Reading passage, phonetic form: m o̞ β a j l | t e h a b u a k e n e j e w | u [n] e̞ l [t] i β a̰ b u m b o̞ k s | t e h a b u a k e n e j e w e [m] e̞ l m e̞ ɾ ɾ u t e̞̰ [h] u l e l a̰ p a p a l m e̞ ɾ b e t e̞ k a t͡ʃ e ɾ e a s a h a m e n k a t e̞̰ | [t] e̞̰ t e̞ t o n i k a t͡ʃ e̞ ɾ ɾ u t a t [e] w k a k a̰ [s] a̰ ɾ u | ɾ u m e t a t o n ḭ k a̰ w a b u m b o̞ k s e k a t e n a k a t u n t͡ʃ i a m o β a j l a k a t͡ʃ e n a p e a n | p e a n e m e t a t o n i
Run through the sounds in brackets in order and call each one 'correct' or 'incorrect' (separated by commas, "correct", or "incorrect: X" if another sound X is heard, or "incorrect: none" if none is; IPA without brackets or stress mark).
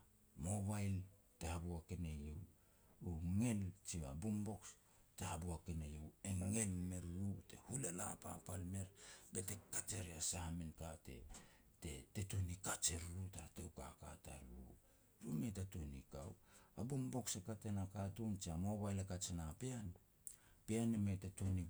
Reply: incorrect: ŋ, incorrect: t͡ʃ, incorrect: ŋ, correct, correct, correct, incorrect: t